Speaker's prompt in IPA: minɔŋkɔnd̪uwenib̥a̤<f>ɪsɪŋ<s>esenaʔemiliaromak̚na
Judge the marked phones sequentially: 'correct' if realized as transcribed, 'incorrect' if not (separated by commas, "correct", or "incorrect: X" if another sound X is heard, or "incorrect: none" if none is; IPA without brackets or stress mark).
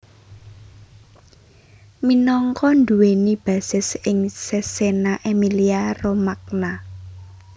incorrect: s, correct